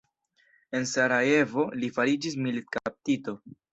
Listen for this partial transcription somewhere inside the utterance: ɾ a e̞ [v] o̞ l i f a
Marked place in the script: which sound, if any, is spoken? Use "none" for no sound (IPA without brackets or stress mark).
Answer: v